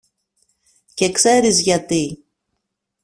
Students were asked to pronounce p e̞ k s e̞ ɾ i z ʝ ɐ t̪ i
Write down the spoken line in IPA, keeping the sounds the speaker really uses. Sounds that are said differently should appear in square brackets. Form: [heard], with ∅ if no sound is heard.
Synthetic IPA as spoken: [c] e̞ k s e̞ ɾ i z ʝ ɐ t̪ i